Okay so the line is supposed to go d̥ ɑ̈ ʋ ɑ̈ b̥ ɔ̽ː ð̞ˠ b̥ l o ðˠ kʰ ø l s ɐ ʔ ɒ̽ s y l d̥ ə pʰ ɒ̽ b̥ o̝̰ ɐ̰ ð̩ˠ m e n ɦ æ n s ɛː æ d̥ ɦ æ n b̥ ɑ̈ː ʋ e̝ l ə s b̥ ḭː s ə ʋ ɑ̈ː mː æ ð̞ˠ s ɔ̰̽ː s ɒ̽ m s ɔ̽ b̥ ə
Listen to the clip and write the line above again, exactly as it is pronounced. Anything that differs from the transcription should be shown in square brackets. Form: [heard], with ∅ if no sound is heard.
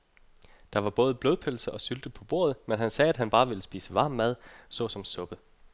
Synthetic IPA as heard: d̥ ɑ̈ ʋ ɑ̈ b̥ ɔ̽ː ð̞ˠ b̥ l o ðˠ [pʰ] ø l s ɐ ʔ ɒ̽ s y l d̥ ə pʰ ɒ̽ b̥ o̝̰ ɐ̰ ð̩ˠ m e n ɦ æ n s ɛː æ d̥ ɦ æ n b̥ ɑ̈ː ʋ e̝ l ə s b̥ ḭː s ə ʋ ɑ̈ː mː æ ð̞ˠ s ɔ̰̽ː s ɒ̽ m s ɔ̽ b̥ ə